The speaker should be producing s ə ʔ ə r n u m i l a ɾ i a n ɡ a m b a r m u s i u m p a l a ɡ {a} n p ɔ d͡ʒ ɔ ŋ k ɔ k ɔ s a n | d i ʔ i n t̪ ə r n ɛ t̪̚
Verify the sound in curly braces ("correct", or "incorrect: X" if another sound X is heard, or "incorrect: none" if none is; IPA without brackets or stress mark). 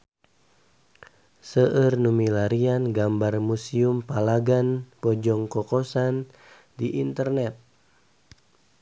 correct